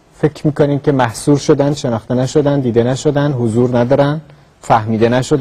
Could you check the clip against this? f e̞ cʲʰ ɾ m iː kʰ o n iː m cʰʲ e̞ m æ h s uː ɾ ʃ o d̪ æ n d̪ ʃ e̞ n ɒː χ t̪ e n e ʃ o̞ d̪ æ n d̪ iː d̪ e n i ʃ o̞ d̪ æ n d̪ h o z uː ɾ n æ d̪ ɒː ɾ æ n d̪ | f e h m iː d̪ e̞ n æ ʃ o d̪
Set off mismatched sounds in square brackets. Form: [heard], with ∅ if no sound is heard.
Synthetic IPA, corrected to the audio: f e̞ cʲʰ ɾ m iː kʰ o n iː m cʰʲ e̞ m æ h s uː ɾ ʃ o d̪ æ n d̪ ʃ e̞ n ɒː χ t̪ e n [æ] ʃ o̞ d̪ æ n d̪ iː d̪ e n [æ] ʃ o̞ d̪ æ n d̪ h o z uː ɾ n æ d̪ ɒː ɾ æ n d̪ | f [æ] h m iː d̪ e̞ n æ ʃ o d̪